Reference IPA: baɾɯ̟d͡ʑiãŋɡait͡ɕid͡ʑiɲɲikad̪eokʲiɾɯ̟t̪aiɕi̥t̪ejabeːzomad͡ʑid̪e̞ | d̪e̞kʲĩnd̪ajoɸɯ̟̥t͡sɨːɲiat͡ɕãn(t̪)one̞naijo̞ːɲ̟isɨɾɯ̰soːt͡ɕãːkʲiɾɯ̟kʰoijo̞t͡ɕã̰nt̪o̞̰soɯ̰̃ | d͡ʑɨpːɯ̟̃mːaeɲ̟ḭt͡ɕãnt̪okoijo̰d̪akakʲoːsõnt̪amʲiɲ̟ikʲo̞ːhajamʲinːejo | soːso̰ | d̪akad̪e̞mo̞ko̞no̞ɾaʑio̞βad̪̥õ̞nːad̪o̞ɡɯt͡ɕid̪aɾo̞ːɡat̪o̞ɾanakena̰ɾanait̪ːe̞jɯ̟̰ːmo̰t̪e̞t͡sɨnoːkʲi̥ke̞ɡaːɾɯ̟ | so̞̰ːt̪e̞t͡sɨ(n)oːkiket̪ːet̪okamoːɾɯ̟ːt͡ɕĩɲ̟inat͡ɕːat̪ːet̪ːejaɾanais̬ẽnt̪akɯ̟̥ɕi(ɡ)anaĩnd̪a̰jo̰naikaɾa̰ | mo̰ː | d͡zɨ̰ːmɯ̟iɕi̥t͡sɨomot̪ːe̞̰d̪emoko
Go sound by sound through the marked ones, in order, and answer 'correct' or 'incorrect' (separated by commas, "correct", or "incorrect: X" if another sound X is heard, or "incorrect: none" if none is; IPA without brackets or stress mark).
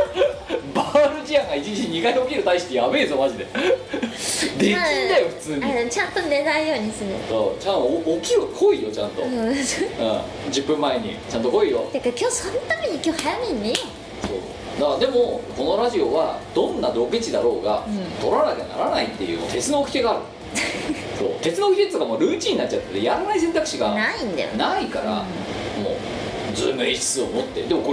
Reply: correct, correct, correct